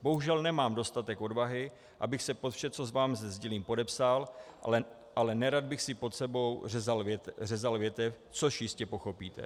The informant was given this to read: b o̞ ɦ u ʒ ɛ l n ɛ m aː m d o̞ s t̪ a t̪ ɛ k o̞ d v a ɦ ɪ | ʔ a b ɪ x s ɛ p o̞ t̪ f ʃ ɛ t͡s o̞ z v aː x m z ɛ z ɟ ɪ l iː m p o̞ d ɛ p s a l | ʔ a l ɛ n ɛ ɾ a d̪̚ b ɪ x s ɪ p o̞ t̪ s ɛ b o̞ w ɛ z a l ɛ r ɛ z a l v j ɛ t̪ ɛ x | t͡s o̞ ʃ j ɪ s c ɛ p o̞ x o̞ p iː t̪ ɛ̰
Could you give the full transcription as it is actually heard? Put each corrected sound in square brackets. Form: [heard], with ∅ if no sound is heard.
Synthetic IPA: b o̞ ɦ u ʒ ɛ l n ɛ m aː m d o̞ s t̪ a t̪ ɛ k o̞ d v a ɦ ɪ | ʔ a b ɪ x s ɛ p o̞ t̪ f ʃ ɛ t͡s o̞ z v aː [∅] m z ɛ z ɟ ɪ l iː m p o̞ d ɛ p s a l | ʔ a l ɛ n ɛ ɾ a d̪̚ b ɪ x s ɪ p o̞ t̪ s ɛ b o̞ w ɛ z a l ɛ r ɛ z a l v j ɛ t̪ ɛ [f] | t͡s o̞ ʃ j ɪ s c ɛ p o̞ x o̞ p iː t̪ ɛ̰